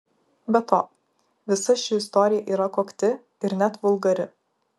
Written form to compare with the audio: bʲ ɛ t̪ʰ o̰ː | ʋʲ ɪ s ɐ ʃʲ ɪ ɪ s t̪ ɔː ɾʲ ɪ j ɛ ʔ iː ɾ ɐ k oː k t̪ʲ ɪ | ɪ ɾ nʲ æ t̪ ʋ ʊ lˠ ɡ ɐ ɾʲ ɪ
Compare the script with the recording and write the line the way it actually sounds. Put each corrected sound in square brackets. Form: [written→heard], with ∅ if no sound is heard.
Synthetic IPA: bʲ ɛ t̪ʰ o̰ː | ʋʲ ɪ s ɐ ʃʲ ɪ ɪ s t̪ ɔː ɾʲ ɪ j ɛ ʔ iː ɾ ɐ k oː k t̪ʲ ɪ | ɪ ɾ nʲ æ t̪ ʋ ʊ lˠ ɡ ɐ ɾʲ ɪ